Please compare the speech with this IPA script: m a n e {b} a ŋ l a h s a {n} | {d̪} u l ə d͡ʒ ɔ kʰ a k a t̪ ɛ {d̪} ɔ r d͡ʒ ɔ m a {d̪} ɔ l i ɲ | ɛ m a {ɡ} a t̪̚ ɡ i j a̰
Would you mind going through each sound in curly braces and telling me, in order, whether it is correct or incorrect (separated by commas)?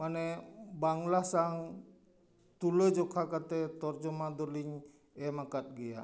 correct, incorrect, incorrect, incorrect, correct, incorrect